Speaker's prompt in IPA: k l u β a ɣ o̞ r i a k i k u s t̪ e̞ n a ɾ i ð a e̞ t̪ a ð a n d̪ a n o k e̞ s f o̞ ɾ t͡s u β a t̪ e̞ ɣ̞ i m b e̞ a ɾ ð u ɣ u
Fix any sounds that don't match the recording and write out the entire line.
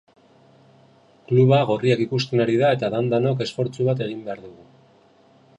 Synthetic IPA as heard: k l u β a ɣ o̞ r i a k i k u s t̪ e̞ n a ɾ i ð a e̞ t̪ a ð a n d̪ a n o k e̞ s f o̞ ɾ t͡s u β a t̪ e̞ ɣ̞ i m b e̞ a ɾ ð u ɣ u